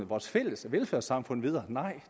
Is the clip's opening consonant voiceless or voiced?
voiced